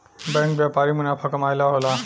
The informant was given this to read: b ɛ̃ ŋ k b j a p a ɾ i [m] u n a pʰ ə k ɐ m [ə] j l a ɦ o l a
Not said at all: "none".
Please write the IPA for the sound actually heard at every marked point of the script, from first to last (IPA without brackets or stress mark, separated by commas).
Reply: m, a